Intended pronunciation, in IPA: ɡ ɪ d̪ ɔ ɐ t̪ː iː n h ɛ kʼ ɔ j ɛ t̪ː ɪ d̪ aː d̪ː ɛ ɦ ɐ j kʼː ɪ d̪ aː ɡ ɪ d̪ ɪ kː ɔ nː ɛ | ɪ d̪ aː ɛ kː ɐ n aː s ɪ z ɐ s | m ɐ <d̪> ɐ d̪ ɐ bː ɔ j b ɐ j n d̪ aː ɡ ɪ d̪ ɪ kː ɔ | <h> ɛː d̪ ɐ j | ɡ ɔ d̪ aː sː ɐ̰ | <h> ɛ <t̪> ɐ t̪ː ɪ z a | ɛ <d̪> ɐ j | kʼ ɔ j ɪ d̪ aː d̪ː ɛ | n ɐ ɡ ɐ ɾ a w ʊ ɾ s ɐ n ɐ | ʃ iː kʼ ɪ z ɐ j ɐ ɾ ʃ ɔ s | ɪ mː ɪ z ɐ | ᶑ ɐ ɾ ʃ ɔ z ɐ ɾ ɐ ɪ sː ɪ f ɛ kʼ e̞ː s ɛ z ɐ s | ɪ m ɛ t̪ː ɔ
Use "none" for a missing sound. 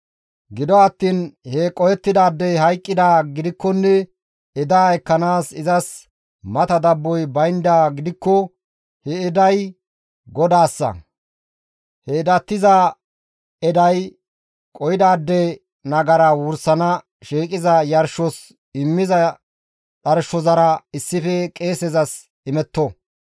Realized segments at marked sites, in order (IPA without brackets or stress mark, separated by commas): t̪, h, h, d̪, d̪